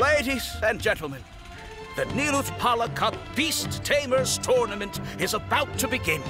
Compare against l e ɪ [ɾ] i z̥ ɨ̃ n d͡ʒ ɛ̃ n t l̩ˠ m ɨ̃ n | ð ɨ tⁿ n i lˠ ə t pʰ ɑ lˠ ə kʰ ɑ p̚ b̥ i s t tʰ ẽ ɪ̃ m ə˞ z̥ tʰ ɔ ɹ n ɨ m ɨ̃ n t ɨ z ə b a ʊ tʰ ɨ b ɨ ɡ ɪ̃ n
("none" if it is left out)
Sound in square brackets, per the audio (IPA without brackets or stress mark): ɾ